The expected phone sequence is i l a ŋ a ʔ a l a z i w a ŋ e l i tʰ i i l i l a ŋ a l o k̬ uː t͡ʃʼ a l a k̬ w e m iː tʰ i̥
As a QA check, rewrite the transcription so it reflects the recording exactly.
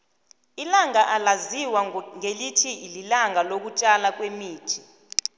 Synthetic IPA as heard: i l a ŋ a ʔ a l a z i w a ŋ e l i tʰ i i l i l a ŋ a l o k̬ u t͡ʃʼ a l a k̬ w e m iː tʰ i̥